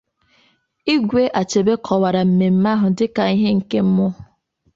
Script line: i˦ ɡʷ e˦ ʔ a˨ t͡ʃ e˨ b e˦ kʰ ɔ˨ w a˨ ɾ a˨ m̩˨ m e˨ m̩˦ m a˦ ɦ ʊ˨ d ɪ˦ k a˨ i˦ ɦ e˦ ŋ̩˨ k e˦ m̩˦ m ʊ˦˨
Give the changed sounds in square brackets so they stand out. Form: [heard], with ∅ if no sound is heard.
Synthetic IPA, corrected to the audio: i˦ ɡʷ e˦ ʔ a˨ t͡ʃ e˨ b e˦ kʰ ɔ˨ w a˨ ɾ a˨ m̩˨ m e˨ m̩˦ m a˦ ɦ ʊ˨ d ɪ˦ k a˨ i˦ ɦ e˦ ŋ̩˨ k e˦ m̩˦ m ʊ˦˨